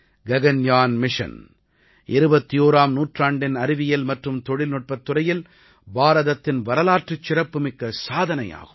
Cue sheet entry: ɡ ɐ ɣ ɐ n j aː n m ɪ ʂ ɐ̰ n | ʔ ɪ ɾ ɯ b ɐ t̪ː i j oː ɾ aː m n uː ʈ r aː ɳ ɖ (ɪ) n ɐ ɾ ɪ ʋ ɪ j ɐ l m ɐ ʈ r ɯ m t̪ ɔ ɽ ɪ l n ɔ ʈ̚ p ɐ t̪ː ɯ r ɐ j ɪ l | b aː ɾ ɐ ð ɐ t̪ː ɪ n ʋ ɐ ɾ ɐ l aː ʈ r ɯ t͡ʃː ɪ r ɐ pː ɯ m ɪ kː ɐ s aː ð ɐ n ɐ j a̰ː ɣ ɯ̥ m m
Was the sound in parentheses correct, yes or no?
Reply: yes